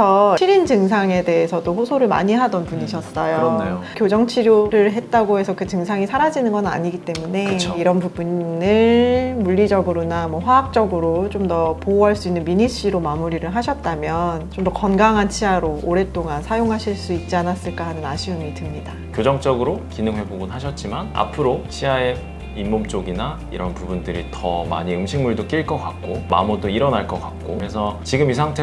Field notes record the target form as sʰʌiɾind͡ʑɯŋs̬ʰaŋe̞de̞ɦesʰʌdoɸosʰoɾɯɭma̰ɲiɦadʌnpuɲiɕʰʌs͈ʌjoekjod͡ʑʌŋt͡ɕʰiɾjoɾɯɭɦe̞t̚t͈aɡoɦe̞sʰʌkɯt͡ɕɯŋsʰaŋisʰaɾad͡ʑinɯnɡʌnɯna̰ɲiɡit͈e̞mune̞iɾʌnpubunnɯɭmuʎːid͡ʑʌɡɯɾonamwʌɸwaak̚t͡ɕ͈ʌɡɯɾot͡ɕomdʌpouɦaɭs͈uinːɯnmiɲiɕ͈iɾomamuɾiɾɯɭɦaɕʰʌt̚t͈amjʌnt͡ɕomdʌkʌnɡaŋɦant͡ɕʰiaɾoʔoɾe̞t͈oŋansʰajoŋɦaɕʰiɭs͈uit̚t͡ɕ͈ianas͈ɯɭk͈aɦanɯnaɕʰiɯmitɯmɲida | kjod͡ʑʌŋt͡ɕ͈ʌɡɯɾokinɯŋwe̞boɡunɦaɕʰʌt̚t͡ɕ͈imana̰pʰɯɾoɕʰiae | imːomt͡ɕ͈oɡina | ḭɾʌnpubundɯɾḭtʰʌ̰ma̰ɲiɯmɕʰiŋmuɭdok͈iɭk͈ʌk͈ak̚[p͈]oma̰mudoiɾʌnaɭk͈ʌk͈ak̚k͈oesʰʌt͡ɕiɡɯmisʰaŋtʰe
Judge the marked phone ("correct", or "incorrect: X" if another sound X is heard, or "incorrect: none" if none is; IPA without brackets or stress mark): incorrect: k͈